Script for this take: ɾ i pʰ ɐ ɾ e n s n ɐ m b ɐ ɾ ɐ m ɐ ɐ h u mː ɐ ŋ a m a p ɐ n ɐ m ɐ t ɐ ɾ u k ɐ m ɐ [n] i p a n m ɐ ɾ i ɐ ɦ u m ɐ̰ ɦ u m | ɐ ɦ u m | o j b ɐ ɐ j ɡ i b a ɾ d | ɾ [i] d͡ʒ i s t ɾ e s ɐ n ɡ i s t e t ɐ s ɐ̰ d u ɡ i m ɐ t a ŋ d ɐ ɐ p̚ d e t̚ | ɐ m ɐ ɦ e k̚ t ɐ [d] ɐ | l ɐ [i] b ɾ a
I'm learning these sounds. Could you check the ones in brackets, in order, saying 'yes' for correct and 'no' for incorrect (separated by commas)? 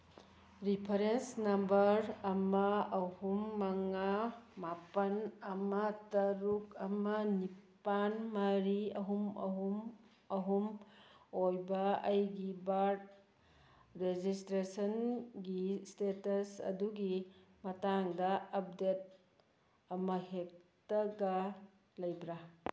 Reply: yes, no, no, no